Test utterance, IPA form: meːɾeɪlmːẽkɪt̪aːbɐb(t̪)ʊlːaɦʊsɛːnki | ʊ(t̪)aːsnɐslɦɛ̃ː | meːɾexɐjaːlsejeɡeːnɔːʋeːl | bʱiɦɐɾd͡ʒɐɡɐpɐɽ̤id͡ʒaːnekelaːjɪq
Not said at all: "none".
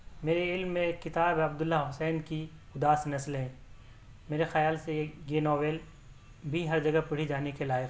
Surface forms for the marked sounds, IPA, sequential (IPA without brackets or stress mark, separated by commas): d̪, d̪